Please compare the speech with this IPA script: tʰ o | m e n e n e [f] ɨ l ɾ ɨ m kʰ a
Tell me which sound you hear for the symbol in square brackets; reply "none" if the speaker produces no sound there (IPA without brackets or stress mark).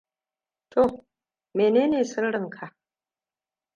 s